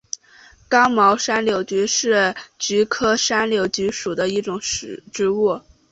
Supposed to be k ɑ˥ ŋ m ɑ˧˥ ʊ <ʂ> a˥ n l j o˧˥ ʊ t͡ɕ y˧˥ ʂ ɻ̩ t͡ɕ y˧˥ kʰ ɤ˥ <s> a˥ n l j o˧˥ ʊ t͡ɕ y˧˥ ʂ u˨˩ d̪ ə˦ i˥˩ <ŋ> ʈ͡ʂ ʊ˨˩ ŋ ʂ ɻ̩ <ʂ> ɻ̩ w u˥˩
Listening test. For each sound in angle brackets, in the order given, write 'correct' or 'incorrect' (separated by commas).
correct, incorrect, incorrect, incorrect